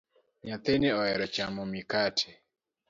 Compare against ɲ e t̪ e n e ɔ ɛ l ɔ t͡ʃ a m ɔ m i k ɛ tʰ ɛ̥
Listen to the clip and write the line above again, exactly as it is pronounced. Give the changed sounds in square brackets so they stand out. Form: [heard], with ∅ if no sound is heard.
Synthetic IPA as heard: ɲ [a] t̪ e n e ɔ ɛ [ɾ] ɔ t͡ʃ a m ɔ m i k [a] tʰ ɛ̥